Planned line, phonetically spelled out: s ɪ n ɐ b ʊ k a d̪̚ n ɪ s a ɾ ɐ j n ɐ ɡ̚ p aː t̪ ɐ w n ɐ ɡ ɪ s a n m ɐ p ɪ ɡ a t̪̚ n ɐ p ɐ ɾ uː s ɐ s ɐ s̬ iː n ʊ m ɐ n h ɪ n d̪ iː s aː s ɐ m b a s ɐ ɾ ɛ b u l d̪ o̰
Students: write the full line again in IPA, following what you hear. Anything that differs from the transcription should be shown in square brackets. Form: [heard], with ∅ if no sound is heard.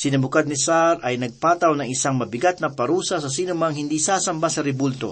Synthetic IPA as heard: s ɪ n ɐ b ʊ k a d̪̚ n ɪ s a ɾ ɐ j n ɐ ɡ̚ p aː t̪ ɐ w n ɐ [ŋ] ɪ s a [ŋ] m ɐ [b] ɪ ɡ a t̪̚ n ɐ p ɐ ɾ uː s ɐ s ɐ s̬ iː n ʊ m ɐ [ŋ] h ɪ n d̪ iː s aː s ɐ m b a s ɐ ɾ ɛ b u l [t̪] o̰